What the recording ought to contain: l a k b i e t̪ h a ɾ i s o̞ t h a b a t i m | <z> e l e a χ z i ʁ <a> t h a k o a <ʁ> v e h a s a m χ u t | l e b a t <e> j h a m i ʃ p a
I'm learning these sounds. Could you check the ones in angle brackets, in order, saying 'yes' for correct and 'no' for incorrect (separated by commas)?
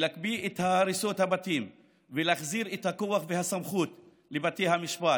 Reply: no, no, no, yes